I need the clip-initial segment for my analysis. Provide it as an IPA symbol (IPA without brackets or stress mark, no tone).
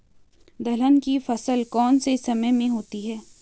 d̪